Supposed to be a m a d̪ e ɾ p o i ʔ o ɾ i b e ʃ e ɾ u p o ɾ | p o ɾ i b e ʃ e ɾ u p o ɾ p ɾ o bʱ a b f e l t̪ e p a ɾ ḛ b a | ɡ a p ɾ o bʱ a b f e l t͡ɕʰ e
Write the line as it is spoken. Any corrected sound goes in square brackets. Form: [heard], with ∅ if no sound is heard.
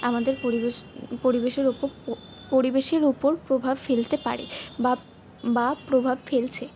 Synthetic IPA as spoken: a m a d̪ e ɾ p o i [p] o ɾ i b e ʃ e ɾ u p o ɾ | p o ɾ i b e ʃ e ɾ u p o ɾ p ɾ o bʱ a b f e l t̪ e p a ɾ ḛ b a | [b] a p ɾ o bʱ a b f e l t͡ɕʰ e

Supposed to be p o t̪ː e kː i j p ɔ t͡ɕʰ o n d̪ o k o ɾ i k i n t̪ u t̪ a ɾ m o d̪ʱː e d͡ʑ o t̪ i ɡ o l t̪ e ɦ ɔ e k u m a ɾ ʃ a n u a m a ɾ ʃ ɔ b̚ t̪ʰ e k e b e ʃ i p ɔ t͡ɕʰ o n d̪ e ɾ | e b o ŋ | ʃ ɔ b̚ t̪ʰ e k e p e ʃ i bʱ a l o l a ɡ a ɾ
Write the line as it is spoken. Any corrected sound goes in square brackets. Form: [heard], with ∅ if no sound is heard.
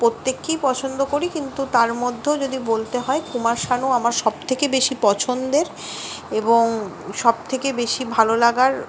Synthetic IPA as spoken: p o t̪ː e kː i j p ɔ t͡ɕʰ o n d̪ o k o ɾ i k i n t̪ u t̪ a ɾ m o d̪ʱː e d͡ʑ o [d̪] i [b] o l t̪ e ɦ ɔ e k u m a ɾ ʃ a n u a m a ɾ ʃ ɔ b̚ t̪ʰ e k e b e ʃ i p ɔ t͡ɕʰ o n d̪ e ɾ | e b o ŋ | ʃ ɔ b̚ t̪ʰ e k e [b] e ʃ i bʱ a l o l a ɡ a ɾ

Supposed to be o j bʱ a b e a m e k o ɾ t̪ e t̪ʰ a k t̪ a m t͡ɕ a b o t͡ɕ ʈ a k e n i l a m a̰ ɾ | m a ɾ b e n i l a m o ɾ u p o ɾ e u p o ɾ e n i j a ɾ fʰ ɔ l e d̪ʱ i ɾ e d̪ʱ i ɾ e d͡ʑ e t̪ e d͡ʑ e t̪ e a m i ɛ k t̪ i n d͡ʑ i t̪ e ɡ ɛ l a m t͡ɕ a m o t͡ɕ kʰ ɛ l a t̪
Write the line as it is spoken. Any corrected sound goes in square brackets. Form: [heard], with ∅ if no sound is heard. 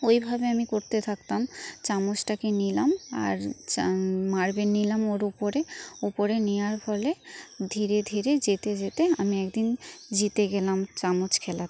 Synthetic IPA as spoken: o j bʱ a b e a m [i] k o ɾ t̪ e t̪ʰ a k t̪ a m t͡ɕ a [m] o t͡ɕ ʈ a k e n i l a m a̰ ɾ | m a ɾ b e n i l a m o ɾ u p o ɾ e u p o ɾ e n i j a ɾ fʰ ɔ l e d̪ʱ i ɾ e d̪ʱ i ɾ e d͡ʑ e t̪ e d͡ʑ e t̪ e a m i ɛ k [d̪] i n d͡ʑ i t̪ e ɡ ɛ l a m t͡ɕ a m o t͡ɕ kʰ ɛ l a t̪

